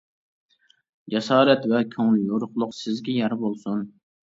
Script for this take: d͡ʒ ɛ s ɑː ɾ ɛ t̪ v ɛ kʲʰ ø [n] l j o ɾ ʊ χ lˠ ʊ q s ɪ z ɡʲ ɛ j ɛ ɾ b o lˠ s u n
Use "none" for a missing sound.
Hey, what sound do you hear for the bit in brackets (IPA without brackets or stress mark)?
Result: ŋ